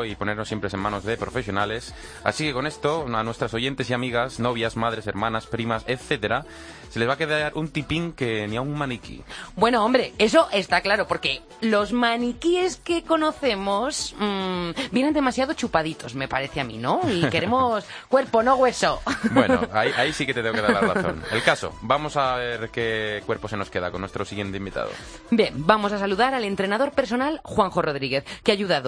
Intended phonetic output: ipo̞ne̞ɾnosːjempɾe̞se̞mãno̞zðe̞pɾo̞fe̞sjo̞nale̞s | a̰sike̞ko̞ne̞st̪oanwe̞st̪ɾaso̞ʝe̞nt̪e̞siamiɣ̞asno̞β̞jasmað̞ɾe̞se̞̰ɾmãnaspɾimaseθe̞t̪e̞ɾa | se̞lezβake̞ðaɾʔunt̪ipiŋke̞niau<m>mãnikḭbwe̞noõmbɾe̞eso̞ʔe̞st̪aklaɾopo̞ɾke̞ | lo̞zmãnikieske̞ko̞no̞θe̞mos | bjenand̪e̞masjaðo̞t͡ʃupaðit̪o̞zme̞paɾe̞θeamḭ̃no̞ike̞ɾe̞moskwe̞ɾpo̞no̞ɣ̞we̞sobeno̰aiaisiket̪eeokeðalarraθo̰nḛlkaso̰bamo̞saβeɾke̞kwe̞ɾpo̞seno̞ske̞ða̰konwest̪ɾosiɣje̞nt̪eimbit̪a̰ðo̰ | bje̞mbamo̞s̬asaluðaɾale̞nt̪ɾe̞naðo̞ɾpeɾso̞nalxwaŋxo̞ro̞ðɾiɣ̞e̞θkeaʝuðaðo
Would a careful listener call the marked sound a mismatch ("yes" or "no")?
yes